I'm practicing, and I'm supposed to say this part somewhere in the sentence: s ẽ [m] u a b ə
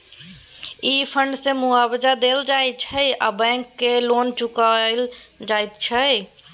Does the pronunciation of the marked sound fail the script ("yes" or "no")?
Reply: no